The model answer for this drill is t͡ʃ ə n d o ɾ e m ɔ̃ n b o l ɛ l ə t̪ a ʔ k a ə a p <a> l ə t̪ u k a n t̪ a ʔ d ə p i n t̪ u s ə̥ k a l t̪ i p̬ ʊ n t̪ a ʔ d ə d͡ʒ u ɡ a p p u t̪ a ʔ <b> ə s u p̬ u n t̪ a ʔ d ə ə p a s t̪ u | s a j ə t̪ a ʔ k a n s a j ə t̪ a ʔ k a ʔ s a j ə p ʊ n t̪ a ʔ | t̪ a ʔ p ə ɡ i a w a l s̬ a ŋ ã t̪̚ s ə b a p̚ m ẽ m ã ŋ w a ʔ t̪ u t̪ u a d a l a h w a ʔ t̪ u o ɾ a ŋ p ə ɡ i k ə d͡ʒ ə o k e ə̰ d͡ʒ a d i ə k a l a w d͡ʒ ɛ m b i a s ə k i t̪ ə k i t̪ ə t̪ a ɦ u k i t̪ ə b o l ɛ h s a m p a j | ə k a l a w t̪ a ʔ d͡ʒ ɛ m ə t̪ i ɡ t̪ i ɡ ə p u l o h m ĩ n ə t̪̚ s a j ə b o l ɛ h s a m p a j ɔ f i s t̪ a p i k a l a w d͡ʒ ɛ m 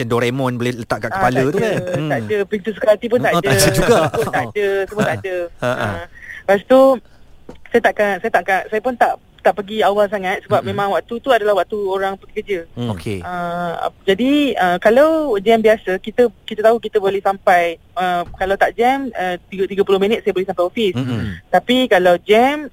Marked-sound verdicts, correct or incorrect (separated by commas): correct, incorrect